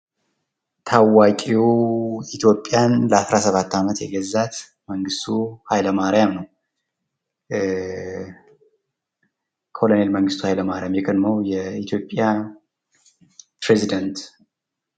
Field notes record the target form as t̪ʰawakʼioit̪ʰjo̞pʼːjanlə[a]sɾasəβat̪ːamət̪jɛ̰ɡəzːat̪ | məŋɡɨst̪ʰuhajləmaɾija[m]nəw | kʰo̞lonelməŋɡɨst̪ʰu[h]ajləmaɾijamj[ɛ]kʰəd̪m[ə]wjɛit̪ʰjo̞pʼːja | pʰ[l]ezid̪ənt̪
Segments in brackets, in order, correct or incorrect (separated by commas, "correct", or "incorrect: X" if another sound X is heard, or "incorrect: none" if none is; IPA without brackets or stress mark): correct, correct, correct, correct, correct, incorrect: ɾ